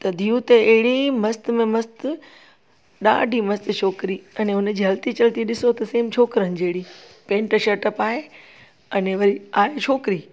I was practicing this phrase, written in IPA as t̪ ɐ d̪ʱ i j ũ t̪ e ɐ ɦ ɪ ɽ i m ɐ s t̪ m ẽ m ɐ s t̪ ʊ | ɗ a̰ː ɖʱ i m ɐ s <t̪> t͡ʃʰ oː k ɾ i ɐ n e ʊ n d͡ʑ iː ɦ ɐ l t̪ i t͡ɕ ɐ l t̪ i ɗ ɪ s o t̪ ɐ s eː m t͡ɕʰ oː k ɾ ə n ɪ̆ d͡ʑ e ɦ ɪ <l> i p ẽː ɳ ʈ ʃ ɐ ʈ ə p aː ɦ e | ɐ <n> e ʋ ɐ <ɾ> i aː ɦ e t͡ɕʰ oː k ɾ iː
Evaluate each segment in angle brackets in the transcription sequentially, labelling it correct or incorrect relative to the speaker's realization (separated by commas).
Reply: correct, incorrect, correct, correct